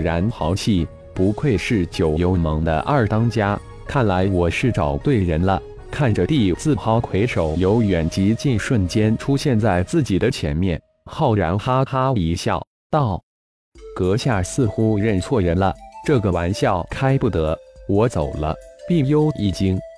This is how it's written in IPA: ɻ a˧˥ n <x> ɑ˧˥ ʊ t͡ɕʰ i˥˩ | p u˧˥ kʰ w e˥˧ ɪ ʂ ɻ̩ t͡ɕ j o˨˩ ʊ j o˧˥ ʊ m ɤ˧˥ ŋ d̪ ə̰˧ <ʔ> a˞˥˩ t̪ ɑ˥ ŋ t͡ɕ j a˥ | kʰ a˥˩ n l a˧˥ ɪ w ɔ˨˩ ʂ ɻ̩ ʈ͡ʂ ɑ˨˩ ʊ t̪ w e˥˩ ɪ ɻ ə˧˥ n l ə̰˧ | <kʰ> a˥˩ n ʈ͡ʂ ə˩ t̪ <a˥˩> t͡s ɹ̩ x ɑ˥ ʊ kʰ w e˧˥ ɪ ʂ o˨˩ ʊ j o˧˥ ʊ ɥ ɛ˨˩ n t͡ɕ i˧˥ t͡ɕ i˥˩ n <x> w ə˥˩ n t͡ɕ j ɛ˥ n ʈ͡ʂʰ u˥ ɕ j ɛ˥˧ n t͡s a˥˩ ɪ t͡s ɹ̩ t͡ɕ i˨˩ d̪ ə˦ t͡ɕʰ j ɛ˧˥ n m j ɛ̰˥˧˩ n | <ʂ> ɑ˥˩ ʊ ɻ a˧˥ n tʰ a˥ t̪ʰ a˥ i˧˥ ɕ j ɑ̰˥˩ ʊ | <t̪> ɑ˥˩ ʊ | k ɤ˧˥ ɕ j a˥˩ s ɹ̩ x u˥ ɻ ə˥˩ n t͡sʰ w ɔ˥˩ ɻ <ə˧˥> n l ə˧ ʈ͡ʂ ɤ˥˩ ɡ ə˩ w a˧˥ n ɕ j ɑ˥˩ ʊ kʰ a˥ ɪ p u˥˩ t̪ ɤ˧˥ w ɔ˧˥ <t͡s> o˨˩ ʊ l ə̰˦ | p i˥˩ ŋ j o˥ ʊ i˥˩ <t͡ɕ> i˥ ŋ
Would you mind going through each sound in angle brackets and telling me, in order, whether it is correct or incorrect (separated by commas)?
correct, correct, correct, incorrect, incorrect, incorrect, correct, correct, correct, correct